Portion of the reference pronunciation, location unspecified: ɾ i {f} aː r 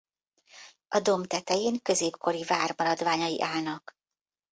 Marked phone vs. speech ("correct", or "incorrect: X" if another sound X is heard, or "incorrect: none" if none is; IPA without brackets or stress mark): incorrect: v